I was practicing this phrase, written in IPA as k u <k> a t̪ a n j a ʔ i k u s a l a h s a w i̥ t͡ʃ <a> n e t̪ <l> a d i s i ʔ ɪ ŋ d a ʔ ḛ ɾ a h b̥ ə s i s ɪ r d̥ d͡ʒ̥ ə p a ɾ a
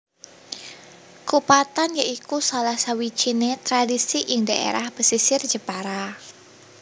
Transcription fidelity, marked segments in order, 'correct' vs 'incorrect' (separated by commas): incorrect, incorrect, incorrect